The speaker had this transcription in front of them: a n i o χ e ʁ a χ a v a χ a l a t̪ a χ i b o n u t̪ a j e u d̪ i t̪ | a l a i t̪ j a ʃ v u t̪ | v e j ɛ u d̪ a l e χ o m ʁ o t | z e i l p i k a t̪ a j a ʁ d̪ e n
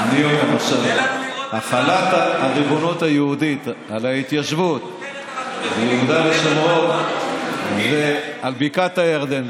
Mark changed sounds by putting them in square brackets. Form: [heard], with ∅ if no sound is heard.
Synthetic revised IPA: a n i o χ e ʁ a [ʃ] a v a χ a l a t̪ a [ʁ] i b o n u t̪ a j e u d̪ i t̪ | a l a i t̪ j a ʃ v u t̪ | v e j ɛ u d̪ a l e [ʃ] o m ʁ o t | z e [a] l [b] i k a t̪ a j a ʁ d̪ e n

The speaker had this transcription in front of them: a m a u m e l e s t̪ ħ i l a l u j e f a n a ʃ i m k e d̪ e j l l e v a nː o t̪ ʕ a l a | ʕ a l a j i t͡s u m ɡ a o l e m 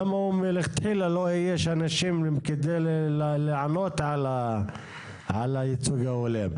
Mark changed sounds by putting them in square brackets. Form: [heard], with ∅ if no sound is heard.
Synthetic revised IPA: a m a u m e l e [χ] t̪ ħ i l a l [o] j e [ʃ] a n a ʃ i m k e d̪ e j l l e [ʕ] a [n] o t̪ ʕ a l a | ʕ a l a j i t͡s u [∅] ɡ a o l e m

